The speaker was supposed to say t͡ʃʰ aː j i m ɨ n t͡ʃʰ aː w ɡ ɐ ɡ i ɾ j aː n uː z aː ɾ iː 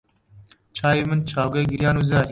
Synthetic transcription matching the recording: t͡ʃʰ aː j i m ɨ n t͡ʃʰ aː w ɡ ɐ ɡ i ɾ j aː n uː z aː ɾ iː